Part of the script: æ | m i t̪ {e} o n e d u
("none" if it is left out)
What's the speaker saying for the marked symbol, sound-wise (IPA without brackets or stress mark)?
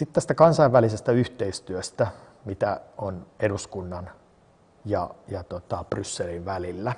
æ